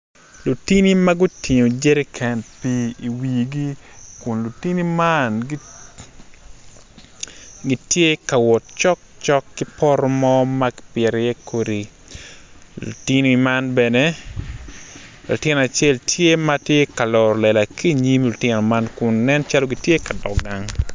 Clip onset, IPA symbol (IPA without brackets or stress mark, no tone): l